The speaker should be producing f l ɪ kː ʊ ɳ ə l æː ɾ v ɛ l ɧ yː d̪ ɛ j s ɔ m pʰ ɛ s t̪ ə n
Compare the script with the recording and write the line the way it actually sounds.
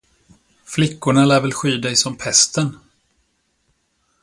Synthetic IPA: f l ɪ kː ʊ ɳ a l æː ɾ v ɛ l ɧ yː d̪ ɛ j s ɔ m pʰ ɛ s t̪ ə n